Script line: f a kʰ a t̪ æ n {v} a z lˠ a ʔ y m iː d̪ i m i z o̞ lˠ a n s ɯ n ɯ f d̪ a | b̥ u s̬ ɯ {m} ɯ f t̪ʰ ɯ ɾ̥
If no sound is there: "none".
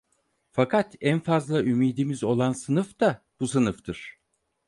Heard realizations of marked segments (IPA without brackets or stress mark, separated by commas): f, n